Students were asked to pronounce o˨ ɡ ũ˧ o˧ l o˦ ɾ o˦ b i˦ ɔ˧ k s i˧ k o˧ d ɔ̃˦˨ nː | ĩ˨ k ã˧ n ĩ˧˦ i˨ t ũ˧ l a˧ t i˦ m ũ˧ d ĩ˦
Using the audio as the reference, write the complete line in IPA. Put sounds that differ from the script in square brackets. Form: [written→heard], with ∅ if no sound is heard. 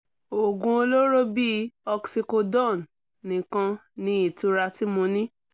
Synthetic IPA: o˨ ɡ ũ˧ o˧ l o˦ ɾ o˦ b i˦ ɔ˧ k s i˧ k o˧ d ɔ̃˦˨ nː | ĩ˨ k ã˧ n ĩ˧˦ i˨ t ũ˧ [l→ɾ] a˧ t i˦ m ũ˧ [d→n] ĩ˦